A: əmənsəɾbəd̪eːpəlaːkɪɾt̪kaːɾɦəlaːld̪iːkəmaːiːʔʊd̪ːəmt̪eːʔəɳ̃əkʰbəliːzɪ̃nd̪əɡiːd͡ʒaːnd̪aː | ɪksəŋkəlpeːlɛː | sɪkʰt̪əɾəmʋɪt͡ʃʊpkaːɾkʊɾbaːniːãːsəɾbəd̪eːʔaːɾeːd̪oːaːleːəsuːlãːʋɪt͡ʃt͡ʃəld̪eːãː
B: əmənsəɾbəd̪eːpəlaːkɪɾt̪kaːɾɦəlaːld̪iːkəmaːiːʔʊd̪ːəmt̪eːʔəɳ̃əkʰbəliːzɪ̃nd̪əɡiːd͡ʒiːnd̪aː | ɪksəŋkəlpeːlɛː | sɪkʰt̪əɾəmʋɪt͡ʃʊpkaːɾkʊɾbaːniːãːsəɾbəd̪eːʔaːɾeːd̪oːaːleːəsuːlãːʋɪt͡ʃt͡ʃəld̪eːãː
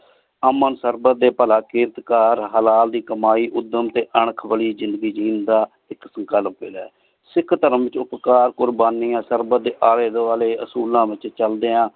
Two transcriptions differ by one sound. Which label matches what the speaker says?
B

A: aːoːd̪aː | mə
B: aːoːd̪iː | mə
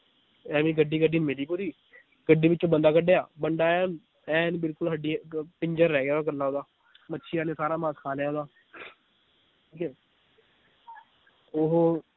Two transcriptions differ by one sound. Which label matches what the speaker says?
A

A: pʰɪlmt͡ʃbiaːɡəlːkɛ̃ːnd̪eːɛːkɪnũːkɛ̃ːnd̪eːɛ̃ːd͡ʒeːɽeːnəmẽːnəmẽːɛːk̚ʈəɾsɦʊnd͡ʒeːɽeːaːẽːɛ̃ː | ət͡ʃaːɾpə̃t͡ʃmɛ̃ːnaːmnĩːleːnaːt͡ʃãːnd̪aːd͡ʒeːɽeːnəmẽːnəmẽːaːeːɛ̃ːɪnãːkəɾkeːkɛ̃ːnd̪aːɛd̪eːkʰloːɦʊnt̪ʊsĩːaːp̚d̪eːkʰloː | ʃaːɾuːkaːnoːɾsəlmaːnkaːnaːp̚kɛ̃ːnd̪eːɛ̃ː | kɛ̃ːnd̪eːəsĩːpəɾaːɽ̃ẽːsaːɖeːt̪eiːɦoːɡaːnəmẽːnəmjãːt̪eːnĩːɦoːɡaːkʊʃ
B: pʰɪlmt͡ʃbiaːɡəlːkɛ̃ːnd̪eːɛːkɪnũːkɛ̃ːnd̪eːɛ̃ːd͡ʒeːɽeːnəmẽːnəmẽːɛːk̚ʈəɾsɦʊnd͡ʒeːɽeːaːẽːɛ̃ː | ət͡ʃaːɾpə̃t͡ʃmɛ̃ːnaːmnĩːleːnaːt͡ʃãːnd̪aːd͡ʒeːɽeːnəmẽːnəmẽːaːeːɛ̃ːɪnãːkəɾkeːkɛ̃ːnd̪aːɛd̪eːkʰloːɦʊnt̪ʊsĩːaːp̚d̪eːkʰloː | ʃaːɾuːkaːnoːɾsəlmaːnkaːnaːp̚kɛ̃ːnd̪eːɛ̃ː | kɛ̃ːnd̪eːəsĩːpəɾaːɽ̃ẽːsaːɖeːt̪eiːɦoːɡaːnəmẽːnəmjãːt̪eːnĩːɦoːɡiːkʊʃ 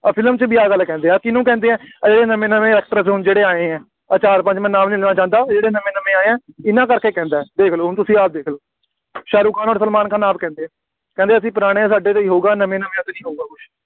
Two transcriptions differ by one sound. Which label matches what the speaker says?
A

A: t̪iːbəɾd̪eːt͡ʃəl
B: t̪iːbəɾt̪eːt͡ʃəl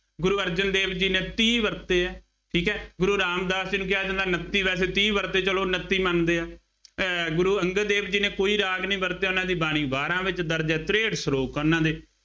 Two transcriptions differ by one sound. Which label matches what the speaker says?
B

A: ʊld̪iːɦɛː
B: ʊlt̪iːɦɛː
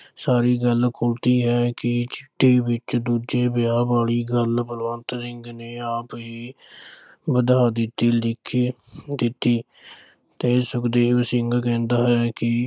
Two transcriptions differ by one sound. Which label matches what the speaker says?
B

